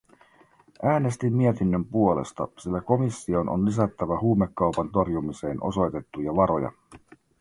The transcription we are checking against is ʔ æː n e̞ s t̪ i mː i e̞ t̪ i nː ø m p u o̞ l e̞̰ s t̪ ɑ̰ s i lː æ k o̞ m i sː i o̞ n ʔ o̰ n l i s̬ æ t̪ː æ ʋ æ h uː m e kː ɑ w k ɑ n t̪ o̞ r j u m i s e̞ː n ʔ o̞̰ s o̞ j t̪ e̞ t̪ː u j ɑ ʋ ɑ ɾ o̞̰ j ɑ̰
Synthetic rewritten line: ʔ æː n e̞ s t̪ i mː i e̞ t̪ i nː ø m p u o̞ l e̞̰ s t̪ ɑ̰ s i lː æ k o̞ m i sː i o̞ n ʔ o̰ n l i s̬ æ t̪ː æ ʋ æ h uː m e kː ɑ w p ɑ n t̪ o̞ r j u m i s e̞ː n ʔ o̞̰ s o̞ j t̪ e̞ t̪ː u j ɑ ʋ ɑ ɾ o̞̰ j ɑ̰